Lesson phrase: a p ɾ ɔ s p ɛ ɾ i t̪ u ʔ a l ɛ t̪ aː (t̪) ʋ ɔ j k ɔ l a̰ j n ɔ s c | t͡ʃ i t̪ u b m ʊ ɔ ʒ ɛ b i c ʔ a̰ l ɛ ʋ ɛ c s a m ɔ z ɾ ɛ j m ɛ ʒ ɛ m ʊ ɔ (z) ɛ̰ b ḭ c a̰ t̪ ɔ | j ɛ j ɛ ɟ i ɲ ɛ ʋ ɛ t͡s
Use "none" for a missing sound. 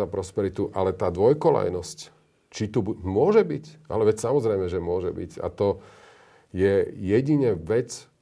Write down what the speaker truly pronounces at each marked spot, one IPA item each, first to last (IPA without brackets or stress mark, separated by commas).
d̪, ʒ